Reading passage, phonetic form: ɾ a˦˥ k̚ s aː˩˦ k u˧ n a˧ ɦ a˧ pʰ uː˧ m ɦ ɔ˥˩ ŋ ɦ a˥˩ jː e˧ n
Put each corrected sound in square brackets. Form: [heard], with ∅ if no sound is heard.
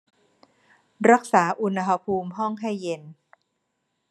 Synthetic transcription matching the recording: ɾ a˦˥ k̚ s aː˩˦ [ʔ] u˧ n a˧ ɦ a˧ pʰ uː˧ m ɦ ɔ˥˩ ŋ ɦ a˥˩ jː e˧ n